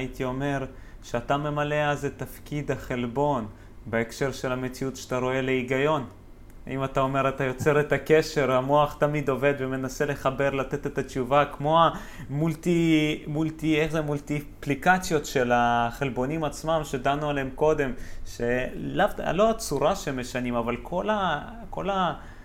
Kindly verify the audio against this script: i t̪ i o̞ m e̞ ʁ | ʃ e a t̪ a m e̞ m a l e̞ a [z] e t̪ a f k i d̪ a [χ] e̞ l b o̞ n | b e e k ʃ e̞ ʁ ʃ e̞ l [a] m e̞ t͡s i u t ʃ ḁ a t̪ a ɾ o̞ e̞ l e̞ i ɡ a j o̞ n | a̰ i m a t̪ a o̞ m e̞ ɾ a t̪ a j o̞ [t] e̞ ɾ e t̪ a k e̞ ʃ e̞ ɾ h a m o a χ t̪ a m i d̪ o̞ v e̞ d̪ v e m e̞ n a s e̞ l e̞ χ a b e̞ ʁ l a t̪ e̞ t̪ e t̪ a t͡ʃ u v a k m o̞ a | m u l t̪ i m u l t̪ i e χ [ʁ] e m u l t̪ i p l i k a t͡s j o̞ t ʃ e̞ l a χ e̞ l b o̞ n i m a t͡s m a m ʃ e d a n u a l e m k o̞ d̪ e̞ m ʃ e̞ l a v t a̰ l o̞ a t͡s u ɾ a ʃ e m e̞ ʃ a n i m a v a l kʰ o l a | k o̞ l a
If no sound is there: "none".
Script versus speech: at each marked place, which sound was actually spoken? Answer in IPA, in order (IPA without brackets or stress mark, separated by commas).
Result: z, χ, a, t͡s, z